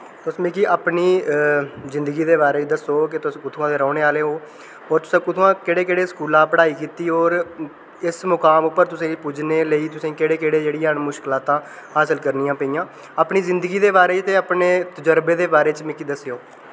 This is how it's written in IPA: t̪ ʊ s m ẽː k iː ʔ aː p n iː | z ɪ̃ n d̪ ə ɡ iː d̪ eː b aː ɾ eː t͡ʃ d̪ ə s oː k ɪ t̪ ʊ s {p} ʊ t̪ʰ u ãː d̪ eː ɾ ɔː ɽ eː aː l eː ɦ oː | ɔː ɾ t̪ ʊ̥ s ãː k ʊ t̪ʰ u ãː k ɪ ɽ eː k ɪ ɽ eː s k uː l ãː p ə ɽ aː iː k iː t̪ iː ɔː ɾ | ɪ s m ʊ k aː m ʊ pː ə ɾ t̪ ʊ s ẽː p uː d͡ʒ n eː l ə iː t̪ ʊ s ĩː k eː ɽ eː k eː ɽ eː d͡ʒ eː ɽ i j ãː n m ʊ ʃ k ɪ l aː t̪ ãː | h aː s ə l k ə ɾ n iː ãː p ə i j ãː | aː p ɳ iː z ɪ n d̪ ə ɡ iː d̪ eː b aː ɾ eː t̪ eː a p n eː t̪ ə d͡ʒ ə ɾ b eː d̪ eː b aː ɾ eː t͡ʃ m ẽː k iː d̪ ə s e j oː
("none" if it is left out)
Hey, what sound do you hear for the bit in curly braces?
k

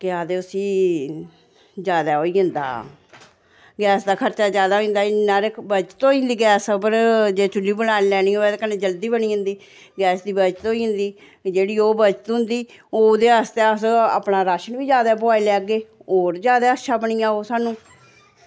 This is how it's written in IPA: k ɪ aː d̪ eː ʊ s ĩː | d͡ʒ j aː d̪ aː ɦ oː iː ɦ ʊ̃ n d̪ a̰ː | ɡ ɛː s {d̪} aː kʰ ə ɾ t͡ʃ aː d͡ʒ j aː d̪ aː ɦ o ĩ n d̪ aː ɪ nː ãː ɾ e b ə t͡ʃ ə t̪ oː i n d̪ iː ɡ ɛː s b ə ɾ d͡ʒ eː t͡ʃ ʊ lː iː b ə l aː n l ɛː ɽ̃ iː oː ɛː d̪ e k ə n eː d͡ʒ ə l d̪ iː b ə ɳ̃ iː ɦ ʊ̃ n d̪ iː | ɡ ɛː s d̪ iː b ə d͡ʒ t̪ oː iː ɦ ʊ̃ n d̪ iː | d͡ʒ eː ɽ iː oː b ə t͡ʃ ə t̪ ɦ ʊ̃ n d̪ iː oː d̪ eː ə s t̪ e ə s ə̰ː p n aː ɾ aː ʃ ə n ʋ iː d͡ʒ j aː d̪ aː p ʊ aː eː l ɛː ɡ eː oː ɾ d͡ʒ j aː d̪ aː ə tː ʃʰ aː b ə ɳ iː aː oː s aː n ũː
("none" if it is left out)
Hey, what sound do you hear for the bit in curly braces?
d̪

